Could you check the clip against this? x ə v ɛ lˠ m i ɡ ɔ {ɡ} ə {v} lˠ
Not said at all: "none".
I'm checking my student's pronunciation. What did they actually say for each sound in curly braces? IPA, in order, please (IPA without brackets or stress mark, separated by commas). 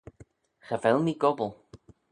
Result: b, none